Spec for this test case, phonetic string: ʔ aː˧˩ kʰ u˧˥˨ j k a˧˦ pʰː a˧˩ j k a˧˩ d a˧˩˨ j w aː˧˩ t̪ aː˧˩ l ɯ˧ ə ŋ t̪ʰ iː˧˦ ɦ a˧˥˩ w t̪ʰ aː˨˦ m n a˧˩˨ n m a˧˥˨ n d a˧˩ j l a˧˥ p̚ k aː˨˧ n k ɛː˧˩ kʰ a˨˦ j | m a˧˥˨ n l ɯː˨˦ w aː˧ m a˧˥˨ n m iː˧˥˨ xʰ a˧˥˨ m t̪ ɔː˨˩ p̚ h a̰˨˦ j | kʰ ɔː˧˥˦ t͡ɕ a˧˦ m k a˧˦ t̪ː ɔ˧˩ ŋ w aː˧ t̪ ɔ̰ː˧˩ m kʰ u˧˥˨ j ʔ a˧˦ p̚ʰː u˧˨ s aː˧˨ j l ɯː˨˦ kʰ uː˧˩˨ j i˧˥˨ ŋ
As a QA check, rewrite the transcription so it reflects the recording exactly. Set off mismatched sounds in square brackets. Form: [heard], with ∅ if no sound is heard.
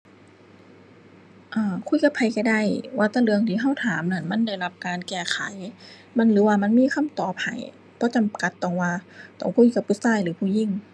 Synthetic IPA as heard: ʔ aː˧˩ kʰ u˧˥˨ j k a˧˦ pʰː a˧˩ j k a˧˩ d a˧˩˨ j w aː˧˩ t̪ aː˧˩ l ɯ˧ ə ŋ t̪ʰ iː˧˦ ɦ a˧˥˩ w t̪ʰ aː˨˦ m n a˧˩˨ n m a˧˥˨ n d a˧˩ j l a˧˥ p̚ k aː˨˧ n k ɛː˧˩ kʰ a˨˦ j | m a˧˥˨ n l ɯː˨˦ w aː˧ m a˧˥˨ n m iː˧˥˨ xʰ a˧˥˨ m t̪ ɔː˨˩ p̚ h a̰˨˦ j | [pʰ] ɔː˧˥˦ t͡ɕ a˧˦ m k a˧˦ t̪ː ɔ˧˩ ŋ w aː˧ t̪ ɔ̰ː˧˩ [ŋ] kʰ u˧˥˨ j [k] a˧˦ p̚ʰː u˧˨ s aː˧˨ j l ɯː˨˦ [pʰ] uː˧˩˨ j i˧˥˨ ŋ